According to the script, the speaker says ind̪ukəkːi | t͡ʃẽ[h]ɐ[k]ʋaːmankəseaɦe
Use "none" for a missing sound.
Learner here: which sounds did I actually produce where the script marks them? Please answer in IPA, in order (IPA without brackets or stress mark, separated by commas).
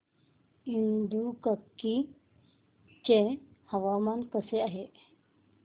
h, none